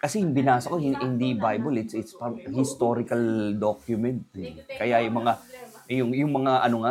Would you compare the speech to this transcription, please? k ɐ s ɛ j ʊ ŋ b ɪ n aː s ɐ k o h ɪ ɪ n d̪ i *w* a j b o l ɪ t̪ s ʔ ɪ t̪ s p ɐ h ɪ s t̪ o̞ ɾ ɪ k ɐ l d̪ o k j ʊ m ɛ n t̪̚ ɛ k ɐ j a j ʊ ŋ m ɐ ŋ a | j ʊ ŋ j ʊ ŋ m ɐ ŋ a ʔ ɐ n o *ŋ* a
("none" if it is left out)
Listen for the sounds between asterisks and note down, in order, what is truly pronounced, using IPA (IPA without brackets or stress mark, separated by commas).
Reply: b, ŋ